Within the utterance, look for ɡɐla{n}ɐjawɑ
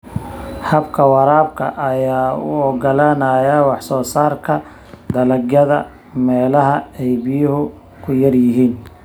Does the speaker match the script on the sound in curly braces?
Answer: yes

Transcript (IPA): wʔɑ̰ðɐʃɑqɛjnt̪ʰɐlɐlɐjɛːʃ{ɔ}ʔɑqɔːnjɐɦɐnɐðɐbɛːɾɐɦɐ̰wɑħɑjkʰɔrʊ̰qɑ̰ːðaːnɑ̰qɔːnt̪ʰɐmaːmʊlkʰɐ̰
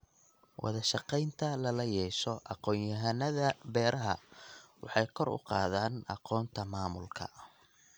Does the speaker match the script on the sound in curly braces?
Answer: yes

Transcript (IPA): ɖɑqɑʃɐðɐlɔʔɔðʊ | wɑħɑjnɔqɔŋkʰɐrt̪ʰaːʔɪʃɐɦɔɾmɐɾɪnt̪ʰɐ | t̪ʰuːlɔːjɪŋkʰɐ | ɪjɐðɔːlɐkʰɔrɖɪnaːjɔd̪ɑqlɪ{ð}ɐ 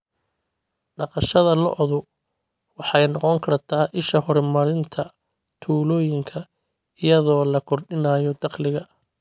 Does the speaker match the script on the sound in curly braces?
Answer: no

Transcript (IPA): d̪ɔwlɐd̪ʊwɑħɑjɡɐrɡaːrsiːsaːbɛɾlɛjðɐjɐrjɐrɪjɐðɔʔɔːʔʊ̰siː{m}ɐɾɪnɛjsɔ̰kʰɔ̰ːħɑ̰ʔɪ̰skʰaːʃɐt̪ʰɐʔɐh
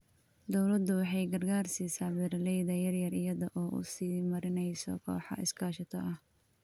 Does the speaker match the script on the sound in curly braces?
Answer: yes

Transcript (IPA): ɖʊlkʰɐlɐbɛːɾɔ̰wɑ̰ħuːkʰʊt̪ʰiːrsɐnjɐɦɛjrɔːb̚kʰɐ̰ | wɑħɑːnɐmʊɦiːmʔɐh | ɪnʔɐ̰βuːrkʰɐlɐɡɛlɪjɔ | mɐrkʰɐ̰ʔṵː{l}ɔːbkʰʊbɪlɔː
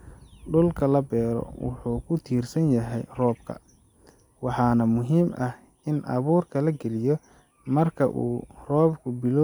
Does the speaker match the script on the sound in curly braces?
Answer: no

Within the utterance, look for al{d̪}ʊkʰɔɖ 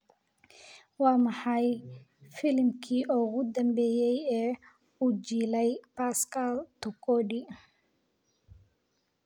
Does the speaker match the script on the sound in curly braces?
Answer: no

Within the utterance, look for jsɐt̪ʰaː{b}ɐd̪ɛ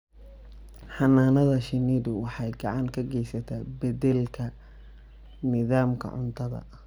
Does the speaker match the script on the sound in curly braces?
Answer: yes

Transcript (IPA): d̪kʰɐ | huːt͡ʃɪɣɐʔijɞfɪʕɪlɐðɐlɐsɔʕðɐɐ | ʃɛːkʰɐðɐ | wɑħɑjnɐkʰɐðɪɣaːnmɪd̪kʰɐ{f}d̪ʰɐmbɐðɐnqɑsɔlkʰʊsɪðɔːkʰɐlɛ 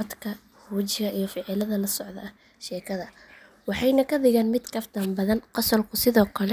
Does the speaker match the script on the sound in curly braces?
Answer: yes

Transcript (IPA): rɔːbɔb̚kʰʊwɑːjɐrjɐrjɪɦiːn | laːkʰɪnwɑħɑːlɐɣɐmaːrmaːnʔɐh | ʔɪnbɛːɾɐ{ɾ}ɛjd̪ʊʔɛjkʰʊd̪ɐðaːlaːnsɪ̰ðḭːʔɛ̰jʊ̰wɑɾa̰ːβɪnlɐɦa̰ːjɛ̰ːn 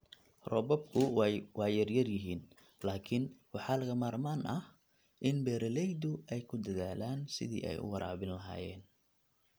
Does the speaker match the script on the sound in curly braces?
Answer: no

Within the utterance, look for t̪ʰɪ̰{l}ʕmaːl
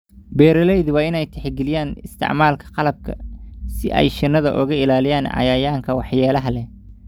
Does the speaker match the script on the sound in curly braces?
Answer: no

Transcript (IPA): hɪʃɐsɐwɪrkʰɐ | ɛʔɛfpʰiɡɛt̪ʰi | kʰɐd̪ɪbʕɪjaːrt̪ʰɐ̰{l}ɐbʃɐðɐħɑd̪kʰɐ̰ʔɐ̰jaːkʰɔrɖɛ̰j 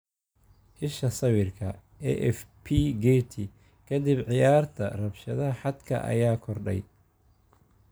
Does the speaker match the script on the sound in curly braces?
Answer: no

